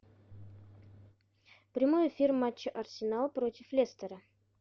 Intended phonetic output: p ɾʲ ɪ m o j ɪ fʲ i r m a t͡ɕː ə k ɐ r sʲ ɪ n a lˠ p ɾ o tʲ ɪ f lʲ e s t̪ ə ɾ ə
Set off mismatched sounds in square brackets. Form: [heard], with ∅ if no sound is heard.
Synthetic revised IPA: p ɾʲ ɪ m o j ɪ fʲ i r m a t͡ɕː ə [ʔ] ɐ r sʲ ɪ n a lˠ p ɾ o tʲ ɪ f lʲ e s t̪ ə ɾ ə